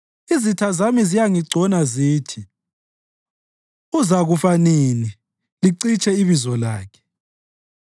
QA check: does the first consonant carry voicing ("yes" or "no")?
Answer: yes